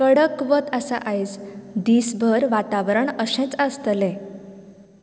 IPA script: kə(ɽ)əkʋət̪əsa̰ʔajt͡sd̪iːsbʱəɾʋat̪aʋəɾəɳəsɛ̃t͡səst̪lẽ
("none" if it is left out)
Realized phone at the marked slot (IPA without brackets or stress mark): ɽ